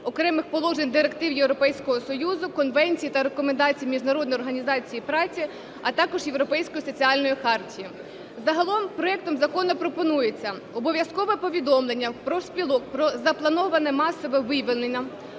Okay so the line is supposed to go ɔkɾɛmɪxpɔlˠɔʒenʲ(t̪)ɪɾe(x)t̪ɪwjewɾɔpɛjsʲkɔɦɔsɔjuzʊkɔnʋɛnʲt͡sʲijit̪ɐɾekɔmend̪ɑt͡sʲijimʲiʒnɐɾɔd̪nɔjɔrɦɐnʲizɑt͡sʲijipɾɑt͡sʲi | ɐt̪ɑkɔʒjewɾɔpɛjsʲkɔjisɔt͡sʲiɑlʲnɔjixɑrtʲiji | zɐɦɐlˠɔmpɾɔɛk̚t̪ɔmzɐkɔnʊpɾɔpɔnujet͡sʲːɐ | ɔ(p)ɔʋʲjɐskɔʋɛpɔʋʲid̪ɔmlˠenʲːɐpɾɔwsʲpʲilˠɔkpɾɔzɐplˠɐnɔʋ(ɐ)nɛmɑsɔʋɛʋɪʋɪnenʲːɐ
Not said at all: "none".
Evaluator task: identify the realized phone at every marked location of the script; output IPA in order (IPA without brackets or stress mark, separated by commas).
d̪, k, b, ɐ